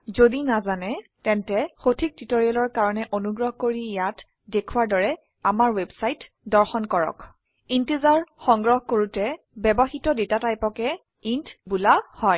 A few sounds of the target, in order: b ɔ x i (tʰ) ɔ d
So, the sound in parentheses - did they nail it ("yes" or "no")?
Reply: no